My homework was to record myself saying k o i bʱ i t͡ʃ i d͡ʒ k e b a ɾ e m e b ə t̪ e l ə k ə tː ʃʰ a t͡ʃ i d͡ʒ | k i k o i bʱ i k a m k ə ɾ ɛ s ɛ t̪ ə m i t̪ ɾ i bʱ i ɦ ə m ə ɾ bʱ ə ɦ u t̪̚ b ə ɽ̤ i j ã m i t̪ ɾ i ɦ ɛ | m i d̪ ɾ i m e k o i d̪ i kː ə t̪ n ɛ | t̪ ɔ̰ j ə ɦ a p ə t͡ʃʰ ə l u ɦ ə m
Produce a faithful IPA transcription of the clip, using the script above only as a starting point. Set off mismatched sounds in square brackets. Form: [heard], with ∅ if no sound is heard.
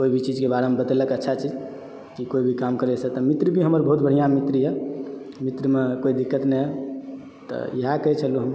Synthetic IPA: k o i bʱ i t͡ʃ i d͡ʒ k e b a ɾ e m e b ə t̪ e l ə k ə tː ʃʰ a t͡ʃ i d͡ʒ | k i k o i bʱ i k a m k ə ɾ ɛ s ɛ t̪ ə m i t̪ ɾ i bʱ i ɦ ə m ə ɾ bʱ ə ɦ u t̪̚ b ə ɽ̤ i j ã m i t̪ ɾ i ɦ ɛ | m i [t̪] ɾ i m e k o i d̪ i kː ə t̪ n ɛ | t̪ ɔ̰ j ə ɦ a [k] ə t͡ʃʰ ə l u ɦ ə m